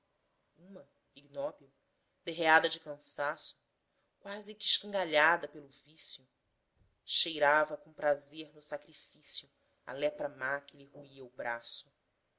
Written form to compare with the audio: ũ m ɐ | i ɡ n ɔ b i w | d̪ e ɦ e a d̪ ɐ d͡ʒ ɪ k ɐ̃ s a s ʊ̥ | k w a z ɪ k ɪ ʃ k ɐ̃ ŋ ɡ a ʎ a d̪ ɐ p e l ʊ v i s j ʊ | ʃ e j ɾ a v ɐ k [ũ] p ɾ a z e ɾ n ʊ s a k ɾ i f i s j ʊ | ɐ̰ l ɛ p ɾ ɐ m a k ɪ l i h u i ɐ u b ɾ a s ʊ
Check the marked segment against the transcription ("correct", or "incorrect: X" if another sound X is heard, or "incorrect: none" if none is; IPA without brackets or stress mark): incorrect: õ